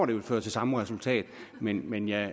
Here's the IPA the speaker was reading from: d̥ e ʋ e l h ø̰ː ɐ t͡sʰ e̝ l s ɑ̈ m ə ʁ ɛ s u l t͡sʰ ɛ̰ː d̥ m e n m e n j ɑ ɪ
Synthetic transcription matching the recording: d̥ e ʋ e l f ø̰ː ɐ t͡sʰ e̝ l s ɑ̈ m ə ʁ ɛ s u l t͡sʰ ɛ̰ː d̥ m e n m e n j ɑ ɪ